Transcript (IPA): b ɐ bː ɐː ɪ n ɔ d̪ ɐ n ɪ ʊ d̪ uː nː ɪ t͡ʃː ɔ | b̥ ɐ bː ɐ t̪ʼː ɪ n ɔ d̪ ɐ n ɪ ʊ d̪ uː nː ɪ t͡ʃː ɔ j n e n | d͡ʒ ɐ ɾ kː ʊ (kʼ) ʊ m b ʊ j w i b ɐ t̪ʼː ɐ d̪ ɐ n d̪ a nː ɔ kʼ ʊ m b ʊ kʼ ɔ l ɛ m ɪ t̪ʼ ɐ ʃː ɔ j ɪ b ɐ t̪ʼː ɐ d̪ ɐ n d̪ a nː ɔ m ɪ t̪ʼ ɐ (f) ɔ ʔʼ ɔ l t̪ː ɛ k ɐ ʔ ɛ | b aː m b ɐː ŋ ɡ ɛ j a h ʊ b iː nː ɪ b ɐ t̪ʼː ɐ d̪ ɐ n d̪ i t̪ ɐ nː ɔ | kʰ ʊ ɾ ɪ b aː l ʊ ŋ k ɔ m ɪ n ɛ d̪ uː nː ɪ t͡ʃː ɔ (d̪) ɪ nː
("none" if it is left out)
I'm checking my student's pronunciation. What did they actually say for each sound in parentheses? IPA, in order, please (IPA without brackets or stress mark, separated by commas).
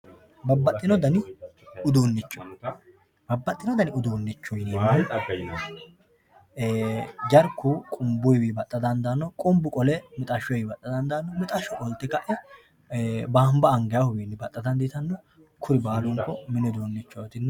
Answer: kʼ, ʃ, t̪